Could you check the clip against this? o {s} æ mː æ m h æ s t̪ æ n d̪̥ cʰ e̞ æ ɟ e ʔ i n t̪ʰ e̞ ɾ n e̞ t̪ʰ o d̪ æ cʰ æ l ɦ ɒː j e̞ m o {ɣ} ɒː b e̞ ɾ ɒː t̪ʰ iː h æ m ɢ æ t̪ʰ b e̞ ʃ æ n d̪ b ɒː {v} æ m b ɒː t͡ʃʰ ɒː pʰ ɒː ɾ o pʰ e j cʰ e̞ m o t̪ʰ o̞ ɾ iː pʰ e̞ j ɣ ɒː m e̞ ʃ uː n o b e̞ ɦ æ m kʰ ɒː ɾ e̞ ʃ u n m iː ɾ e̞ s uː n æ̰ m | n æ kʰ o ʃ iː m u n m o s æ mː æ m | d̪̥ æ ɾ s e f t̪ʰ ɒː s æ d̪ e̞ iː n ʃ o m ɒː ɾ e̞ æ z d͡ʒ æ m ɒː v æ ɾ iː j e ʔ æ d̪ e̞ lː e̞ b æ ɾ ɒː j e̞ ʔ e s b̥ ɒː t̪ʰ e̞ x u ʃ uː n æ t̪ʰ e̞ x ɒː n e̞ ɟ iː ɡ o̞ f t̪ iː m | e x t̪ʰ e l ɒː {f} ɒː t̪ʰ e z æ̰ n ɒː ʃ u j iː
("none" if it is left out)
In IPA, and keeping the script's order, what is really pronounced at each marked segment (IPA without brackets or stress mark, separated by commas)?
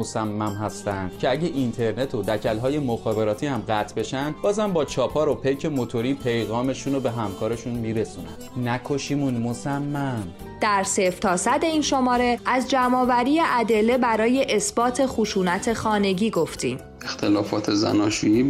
s, x, z, f